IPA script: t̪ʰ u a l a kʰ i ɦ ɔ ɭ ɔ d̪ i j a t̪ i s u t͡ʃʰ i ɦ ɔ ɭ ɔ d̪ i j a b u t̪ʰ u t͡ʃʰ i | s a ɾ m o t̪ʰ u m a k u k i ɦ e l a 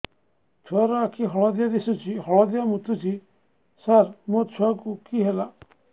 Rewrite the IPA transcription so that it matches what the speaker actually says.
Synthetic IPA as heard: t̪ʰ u a ɾ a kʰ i ɦ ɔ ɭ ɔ d̪ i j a d̪ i s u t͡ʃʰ i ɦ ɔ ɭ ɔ d̪ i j a m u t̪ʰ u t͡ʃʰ i | s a ɾ m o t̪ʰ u a k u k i ɦ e l a